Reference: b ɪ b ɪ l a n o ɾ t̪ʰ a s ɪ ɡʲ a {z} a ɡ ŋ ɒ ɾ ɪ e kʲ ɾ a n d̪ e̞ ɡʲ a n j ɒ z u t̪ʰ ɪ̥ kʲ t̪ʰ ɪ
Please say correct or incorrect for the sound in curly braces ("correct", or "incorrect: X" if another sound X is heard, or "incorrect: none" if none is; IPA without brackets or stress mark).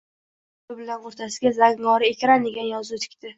correct